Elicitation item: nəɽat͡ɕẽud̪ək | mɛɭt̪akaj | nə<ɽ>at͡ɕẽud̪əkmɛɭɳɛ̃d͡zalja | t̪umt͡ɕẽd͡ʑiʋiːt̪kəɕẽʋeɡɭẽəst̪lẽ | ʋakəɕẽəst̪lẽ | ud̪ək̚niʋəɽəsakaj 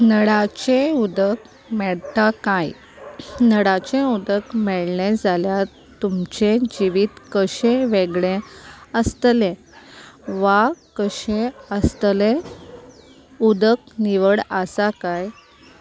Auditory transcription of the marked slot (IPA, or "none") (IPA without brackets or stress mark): ɽ